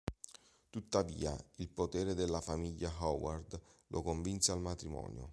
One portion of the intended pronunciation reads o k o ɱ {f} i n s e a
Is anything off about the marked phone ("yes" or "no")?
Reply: yes